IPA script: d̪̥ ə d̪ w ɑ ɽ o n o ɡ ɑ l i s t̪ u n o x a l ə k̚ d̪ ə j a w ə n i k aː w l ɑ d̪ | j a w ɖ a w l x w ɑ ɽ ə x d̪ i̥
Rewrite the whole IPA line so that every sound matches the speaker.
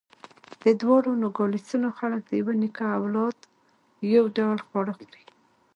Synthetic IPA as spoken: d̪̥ ə d̪ w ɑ ɽ o n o ɡ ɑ l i s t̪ u n o x a l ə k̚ d̪ ə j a w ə n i k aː w l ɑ d̪ | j a w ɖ a w l x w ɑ ɽ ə x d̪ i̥